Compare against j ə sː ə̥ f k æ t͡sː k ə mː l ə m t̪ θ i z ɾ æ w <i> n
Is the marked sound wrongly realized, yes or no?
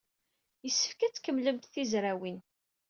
no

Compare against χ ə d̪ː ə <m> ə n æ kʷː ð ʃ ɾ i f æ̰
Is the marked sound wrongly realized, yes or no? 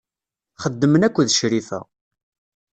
no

